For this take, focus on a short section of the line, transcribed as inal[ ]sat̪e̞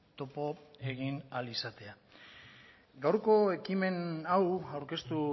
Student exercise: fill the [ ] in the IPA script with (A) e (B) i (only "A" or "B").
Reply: B